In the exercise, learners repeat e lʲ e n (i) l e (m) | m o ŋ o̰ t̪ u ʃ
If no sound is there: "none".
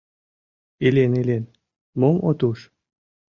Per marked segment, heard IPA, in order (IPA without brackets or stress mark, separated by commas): e, n